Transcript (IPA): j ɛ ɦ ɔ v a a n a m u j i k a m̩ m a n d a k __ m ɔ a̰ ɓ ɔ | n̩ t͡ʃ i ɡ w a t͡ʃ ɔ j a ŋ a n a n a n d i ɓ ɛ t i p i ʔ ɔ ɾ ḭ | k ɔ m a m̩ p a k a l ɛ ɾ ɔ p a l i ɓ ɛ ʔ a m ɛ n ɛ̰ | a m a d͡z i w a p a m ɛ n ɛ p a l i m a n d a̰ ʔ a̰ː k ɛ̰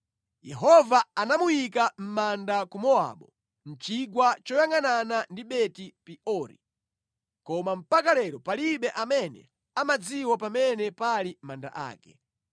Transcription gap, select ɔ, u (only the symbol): u